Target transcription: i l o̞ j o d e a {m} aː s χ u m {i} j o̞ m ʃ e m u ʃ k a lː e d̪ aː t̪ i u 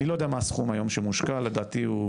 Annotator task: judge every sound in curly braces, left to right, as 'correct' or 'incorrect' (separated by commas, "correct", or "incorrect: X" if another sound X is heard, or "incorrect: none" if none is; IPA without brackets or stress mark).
correct, incorrect: a